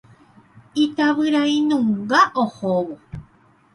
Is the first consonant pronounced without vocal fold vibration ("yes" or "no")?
yes